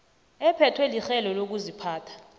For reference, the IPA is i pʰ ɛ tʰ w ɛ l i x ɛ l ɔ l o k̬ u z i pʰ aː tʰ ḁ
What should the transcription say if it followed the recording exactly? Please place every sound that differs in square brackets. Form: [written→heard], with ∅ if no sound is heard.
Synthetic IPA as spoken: [i→ɛ] pʰ ɛ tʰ w ɛ l i x ɛ l ɔ l o k̬ u z i pʰ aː tʰ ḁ